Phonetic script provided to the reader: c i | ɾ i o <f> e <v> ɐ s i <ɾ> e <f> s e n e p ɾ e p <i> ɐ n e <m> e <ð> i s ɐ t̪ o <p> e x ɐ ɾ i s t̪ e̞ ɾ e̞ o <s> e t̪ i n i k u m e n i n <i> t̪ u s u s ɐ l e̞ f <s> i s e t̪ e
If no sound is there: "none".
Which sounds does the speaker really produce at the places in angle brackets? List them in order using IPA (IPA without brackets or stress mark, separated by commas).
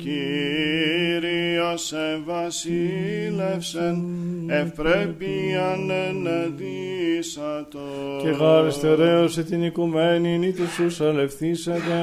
s, v, l, f, i, n, ð, c, s, i, θ